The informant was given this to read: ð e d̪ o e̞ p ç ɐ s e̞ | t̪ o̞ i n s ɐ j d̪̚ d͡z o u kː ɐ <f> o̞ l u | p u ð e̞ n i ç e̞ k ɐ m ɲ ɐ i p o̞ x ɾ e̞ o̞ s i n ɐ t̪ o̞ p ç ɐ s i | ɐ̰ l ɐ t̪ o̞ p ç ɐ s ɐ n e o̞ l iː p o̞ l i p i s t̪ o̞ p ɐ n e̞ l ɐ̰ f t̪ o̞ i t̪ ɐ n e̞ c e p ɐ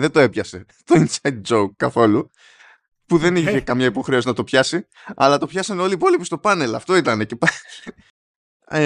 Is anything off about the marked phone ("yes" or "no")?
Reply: yes